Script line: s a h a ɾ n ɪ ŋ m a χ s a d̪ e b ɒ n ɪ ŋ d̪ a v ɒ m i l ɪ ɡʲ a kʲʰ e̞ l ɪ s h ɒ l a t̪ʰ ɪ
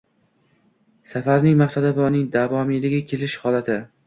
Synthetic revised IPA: s a f a ɾ n ɪ ŋ m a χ s a d̪ a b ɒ n ɪ ŋ d̪ a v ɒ m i l ɪ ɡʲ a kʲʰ e̞ l ɪ ʃ h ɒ l a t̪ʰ ɪ